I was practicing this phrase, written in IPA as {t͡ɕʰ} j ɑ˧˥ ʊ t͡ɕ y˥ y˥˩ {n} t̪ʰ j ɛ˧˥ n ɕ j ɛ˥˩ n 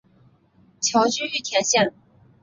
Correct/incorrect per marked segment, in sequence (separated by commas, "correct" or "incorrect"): correct, incorrect